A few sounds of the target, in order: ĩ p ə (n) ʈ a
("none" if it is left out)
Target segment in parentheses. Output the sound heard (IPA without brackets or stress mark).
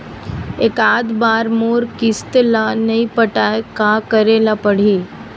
none